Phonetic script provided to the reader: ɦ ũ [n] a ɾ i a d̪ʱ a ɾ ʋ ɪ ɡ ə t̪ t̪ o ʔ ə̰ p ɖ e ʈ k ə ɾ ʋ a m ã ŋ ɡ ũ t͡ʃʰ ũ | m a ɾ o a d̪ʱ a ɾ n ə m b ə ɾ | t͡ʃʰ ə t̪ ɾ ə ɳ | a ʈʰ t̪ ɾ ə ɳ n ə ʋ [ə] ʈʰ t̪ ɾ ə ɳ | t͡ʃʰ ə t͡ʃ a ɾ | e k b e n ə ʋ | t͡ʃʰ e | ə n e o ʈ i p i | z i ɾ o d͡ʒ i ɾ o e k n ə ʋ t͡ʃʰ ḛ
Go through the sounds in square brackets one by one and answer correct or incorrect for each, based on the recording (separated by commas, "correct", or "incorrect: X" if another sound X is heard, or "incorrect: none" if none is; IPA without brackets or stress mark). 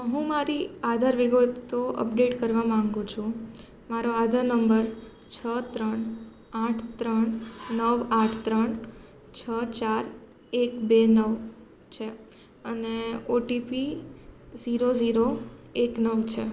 incorrect: m, incorrect: a